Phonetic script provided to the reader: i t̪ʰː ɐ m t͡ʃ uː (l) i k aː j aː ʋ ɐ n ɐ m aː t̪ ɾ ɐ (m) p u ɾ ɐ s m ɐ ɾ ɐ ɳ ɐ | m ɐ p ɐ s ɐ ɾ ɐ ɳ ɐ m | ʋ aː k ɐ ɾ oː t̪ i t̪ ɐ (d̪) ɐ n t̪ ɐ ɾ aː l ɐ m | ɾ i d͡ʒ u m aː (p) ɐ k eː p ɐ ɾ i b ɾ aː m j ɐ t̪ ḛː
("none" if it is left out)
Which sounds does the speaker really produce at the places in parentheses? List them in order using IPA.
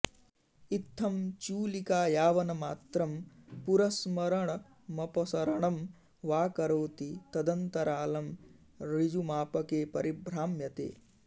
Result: l, m, d̪, p

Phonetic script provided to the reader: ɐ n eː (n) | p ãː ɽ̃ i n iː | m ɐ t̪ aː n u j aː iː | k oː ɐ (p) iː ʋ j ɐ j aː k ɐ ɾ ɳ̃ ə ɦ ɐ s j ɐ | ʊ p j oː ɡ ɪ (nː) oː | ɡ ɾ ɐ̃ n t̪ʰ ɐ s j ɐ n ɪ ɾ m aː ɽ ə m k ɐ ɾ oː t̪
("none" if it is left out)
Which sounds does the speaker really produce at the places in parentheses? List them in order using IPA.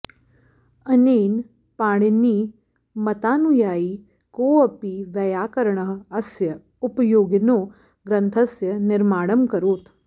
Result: n, p, n

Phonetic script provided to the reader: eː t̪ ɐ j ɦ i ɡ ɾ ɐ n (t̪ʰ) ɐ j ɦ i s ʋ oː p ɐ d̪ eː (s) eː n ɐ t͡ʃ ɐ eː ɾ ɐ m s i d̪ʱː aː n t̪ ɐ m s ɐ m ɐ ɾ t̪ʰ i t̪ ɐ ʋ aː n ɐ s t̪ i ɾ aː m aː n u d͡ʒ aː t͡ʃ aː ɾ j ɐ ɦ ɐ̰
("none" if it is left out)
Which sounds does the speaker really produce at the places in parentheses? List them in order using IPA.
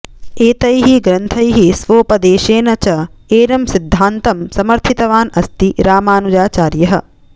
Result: t̪ʰ, ʃ

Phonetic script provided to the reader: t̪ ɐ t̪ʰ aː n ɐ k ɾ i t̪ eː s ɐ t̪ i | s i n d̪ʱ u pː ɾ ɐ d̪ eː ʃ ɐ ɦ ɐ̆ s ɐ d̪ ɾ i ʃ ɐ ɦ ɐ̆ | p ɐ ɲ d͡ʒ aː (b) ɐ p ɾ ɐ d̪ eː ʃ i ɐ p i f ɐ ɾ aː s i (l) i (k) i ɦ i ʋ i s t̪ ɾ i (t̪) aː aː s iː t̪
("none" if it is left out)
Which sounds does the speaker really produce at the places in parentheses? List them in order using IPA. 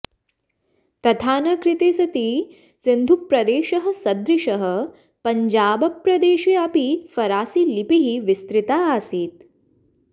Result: b, l, p, t̪

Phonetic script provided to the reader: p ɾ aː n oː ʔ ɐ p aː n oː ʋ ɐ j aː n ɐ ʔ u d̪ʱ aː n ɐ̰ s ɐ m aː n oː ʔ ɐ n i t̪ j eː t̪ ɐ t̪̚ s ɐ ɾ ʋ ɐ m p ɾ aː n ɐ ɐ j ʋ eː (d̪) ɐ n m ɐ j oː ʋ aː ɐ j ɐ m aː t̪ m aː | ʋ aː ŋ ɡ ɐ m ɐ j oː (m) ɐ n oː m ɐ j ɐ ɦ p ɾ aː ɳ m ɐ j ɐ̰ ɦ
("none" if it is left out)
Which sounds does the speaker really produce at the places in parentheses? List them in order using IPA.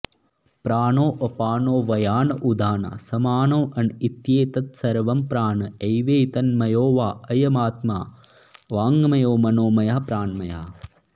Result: t̪, m

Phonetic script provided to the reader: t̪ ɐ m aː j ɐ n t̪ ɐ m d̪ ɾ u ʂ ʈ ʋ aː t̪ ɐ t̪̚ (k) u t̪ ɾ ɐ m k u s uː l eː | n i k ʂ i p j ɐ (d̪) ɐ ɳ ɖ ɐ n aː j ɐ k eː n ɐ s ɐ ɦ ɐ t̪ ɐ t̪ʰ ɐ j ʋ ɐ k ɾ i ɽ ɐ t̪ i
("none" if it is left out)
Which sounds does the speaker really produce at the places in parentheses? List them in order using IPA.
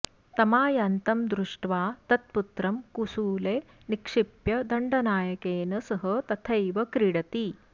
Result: p, d̪

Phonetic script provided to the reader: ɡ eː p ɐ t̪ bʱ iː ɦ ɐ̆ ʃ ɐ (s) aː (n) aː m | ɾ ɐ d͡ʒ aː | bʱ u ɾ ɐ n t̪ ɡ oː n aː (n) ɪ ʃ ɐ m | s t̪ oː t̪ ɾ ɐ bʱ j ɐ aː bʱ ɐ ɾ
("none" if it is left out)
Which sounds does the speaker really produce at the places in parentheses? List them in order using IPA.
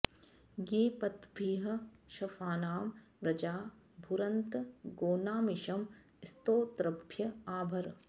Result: f, n, m

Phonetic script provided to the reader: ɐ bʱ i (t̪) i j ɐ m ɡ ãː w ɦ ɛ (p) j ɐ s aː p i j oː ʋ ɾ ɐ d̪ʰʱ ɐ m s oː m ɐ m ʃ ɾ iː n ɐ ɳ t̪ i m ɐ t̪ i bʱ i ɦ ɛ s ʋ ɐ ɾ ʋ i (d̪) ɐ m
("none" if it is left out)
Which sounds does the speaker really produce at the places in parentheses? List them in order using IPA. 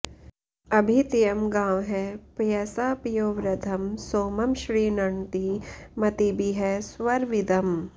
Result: t̪, p, d̪

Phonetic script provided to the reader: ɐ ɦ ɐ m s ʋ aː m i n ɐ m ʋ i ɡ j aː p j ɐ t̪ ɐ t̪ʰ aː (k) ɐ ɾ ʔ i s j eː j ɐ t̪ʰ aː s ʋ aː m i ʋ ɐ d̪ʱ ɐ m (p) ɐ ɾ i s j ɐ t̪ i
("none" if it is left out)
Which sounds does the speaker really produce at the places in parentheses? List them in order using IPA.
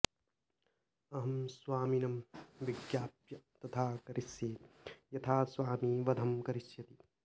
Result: k, k

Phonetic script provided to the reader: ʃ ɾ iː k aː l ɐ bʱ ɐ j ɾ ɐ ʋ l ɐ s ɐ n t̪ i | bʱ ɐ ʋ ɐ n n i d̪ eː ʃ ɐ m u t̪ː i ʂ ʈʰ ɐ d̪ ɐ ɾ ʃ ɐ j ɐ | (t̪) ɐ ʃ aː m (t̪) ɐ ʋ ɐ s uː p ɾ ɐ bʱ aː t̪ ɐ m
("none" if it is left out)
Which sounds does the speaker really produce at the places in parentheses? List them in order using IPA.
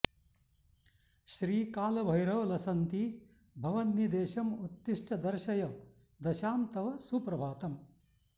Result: d̪, t̪

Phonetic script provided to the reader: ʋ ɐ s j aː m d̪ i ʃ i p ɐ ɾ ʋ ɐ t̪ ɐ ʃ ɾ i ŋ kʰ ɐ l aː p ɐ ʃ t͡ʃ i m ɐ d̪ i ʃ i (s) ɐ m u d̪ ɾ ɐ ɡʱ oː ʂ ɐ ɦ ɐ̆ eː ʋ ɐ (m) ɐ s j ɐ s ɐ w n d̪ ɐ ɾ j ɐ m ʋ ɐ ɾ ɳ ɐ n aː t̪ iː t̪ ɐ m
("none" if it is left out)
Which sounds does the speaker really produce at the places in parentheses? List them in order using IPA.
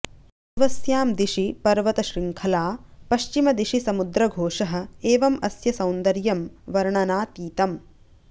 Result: s, m

